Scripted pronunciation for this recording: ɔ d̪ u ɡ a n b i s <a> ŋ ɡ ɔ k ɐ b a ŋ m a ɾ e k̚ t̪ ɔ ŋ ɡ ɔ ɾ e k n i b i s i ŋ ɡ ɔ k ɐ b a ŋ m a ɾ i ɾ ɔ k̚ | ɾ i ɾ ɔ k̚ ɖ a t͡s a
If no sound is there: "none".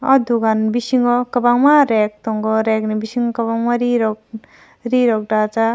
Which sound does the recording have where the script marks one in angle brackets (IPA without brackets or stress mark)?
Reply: i